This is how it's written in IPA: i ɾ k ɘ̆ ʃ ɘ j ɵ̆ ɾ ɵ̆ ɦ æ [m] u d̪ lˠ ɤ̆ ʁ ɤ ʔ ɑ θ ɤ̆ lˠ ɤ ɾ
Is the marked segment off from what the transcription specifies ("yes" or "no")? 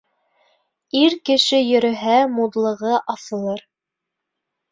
no